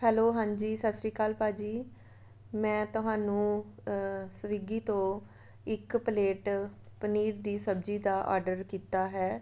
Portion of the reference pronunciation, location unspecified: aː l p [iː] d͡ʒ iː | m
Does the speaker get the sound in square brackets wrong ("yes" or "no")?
yes